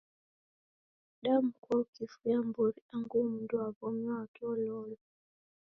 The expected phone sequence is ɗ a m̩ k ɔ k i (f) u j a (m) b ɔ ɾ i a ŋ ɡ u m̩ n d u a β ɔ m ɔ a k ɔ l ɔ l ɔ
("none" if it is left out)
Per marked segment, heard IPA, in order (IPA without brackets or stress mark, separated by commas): f, m